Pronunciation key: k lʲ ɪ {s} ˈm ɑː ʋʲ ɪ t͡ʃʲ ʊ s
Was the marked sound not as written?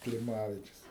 yes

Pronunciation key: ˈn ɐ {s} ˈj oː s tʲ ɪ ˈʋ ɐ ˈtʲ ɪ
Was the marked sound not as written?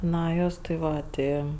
yes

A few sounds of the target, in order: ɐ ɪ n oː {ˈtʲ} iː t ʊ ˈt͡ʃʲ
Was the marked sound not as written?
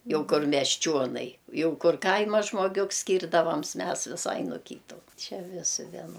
yes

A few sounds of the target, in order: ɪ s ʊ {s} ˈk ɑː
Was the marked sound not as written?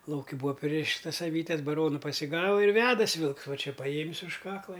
yes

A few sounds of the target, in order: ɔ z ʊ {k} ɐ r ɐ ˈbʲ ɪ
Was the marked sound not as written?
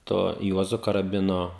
no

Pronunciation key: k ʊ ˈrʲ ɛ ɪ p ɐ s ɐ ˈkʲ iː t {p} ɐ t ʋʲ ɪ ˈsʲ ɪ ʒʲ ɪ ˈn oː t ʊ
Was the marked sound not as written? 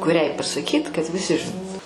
yes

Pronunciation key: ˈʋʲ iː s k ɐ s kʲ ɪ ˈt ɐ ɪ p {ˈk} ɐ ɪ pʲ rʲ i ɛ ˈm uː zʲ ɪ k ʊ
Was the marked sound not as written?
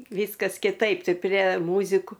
yes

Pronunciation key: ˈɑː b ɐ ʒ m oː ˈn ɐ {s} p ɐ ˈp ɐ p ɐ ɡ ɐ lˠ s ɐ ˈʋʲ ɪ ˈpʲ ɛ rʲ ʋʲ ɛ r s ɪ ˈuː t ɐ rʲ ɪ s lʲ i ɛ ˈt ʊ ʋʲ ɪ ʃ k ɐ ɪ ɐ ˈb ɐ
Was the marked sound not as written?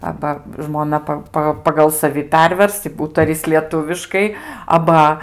yes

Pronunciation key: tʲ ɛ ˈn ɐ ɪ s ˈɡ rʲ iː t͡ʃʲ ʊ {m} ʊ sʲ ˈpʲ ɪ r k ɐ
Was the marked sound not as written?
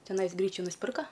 yes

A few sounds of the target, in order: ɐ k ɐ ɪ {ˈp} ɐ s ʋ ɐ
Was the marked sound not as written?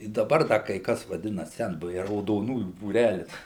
yes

